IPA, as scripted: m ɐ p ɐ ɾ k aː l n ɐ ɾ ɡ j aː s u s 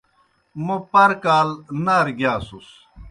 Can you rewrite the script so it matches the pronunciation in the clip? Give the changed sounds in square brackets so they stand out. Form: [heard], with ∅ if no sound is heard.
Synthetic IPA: m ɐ p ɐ ɾ k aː l n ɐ ɾ ɡ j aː s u s

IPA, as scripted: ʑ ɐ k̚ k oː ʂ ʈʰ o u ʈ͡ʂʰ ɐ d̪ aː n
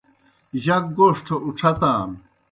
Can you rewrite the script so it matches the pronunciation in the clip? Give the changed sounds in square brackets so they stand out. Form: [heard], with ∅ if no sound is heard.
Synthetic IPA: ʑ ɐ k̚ [ɡ] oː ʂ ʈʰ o u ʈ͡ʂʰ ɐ [t̪] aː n

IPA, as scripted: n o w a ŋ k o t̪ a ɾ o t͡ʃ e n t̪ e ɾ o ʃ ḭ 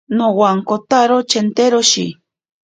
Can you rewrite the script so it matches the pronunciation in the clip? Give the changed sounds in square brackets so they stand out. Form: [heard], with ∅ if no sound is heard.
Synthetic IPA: n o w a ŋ k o t̪ a ɾ o t͡ʃ e n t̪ e ɾ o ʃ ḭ

